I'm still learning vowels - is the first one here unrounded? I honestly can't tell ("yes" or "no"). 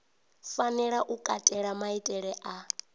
yes